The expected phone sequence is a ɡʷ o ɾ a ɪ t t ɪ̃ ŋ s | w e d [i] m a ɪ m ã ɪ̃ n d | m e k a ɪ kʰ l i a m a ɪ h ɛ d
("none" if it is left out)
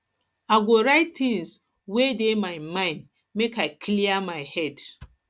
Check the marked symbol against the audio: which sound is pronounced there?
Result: e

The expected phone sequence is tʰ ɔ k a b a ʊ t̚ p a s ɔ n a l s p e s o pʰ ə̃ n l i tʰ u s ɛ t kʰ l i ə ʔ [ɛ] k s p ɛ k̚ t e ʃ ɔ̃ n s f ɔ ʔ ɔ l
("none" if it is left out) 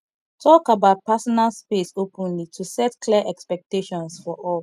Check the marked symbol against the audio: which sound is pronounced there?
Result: ɛ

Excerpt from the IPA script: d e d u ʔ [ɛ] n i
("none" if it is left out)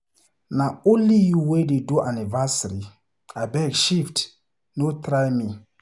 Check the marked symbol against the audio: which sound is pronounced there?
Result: a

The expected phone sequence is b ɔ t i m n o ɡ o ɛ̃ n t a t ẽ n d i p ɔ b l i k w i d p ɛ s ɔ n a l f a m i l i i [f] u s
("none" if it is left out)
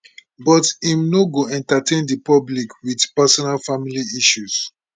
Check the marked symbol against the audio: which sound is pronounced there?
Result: ʃ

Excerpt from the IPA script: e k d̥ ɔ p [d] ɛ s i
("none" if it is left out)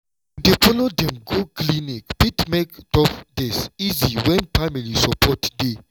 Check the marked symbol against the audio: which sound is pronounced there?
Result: d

